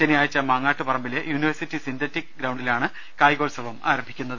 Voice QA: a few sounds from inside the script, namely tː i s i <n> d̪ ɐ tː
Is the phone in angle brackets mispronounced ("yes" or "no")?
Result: no